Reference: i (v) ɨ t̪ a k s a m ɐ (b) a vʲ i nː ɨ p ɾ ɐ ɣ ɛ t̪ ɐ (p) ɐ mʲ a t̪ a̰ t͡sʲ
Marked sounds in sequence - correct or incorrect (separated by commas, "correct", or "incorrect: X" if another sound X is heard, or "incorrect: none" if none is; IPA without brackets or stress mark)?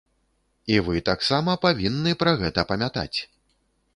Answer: correct, incorrect: p, correct